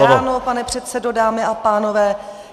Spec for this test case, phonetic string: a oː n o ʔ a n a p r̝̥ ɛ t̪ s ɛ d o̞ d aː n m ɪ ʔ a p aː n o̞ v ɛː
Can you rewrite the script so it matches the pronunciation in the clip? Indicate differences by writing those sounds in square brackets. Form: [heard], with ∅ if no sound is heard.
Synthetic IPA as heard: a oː n o [p] a n [ɛ] p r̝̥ ɛ t̪ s ɛ d o̞ d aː [∅] m ɪ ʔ a p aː n o̞ v ɛː